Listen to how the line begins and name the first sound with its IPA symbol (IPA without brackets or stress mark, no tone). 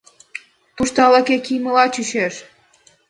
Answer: t̪